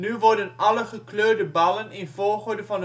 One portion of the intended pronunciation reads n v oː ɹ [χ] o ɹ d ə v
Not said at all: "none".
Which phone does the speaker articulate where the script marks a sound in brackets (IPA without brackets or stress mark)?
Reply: χ